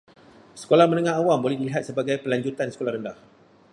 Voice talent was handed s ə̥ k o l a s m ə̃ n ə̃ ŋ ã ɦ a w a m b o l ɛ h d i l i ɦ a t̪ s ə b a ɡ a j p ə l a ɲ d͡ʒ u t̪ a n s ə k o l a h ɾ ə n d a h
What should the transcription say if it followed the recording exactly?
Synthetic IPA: s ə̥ k o l a h m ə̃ n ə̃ ŋ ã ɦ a w a m b o l ɛ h d i l i ɦ a t̪ s ə b a ɡ a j p ə l a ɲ d͡ʒ u t̪ a n s ə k o l a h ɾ ə n d a h